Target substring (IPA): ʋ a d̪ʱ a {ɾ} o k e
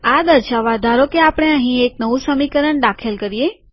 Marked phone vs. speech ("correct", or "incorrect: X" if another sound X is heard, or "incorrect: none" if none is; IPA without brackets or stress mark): correct